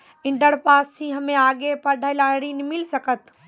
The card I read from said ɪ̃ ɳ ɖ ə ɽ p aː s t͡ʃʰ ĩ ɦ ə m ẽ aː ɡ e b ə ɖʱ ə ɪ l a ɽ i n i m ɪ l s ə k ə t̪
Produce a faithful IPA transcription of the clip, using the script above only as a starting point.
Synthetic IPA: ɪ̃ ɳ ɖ ə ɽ p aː s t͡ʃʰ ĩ ɦ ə m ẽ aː ɡ e p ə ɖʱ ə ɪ l a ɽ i n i m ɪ l s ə k ə t̪